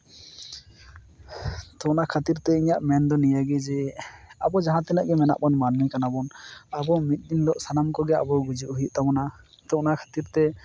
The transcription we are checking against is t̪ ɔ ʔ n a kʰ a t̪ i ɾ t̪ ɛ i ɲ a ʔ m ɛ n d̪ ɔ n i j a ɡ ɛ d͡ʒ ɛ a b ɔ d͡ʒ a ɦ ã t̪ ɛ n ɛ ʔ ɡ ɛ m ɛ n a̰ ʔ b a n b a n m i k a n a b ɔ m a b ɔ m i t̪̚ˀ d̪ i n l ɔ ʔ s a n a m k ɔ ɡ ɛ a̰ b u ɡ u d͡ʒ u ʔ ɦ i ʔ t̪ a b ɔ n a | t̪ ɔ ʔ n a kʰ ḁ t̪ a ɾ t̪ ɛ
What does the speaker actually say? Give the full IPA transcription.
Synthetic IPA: t̪ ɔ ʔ n a kʰ a t̪ i ɾ t̪ ɛ i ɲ a ʔ m ɛ n d̪ ɔ n i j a ɡ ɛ d͡ʒ ɛ a b ɔ d͡ʒ a ɦ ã t̪ ɛ n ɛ ʔ ɡ ɛ m ɛ n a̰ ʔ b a n m a n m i k a n a b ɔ n a b ɔ m i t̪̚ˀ d̪ i n l ɔ ʔ s a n a m k ɔ ɡ ɛ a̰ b ɔ ɡ u d͡ʒ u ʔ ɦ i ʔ t̪ a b ɔ n a | t̪ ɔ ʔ n a kʰ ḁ t̪ i ɾ t̪ ɛ